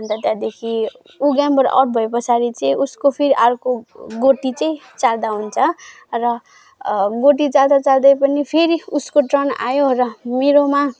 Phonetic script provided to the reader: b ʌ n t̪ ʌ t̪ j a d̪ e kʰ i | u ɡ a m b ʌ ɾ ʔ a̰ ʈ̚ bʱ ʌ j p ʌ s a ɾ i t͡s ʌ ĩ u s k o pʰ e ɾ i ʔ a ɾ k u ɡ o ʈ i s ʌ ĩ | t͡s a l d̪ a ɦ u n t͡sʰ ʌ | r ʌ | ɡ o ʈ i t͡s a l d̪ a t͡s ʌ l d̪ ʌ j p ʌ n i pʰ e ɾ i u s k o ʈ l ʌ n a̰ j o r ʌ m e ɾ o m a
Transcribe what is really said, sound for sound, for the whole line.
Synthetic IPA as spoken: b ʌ n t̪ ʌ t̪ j a d̪ e kʰ i | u ɡ a m b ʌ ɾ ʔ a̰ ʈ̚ bʱ ʌ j p ʌ s a ɾ i t͡s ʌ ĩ u s k o pʰ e ɾ i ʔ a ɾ k o ɡ o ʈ i t͡s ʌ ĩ | t͡s a l d̪ a ɦ u n t͡sʰ ʌ | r ʌ | ɡ o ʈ i t͡s a l d̪ a t͡s a l d̪ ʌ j p ʌ n i pʰ e ɾ i u s k o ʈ r ʌ n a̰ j o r ʌ m e ɾ o m a